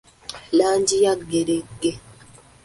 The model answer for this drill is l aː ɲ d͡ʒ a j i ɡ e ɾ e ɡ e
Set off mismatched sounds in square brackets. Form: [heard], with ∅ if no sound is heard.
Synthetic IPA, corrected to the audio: l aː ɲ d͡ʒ [i] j [a] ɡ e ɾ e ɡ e